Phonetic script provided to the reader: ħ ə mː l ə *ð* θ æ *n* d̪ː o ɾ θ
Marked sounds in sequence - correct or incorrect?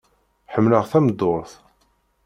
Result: incorrect: ʁ, incorrect: m

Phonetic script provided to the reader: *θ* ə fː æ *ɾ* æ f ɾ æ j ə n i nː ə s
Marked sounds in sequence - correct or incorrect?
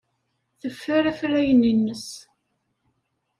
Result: correct, correct

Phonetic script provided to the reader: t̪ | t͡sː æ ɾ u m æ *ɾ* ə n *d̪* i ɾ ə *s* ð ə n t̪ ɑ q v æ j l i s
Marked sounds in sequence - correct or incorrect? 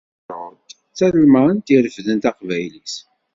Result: incorrect: none, incorrect: t̪, incorrect: f

